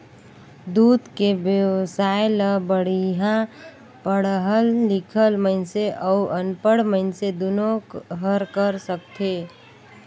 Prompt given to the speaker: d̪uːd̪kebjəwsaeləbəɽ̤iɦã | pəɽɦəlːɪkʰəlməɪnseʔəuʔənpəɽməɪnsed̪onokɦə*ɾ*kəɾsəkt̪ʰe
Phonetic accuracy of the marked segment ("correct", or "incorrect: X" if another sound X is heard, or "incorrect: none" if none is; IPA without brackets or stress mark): correct